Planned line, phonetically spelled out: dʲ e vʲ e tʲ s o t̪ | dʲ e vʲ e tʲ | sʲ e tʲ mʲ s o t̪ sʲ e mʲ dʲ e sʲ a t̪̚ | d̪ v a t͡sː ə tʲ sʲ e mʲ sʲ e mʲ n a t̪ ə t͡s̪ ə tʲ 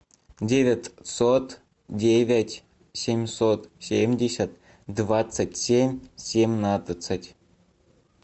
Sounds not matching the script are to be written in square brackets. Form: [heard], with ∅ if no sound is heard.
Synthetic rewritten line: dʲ e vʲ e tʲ s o t̪ | dʲ e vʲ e tʲ | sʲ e [∅] mʲ s o t̪ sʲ e mʲ dʲ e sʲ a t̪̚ | d̪ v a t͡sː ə tʲ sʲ e mʲ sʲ e mʲ n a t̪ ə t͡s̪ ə tʲ